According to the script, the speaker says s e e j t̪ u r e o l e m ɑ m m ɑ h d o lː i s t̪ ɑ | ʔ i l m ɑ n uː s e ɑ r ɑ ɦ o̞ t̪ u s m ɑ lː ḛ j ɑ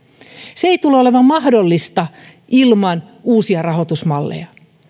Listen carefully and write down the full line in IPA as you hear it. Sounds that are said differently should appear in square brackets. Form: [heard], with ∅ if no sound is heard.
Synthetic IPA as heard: s e e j t̪ u [l] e o l e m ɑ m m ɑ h d o lː i s t̪ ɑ | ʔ i l m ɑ n uː s [i] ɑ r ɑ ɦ o̞ t̪ u s m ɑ lː ḛ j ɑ